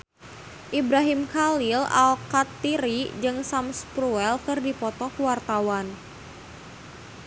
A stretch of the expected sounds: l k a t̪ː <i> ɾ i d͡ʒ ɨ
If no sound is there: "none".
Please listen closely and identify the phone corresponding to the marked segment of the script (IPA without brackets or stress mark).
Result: i